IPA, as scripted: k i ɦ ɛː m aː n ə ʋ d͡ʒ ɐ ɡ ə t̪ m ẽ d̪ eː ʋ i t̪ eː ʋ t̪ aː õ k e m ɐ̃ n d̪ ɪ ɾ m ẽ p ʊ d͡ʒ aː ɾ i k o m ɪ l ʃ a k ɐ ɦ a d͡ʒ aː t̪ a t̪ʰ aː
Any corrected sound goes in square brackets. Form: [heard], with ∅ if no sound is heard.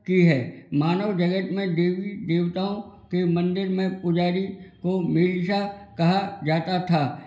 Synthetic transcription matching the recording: k i ɦ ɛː m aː n ə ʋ d͡ʒ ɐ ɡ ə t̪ m ẽ d̪ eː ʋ i [d̪] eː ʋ t̪ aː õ k e m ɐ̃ n d̪ ɪ ɾ m ẽ p ʊ d͡ʒ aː ɾ i k o m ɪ l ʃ a k ɐ ɦ a d͡ʒ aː t̪ a t̪ʰ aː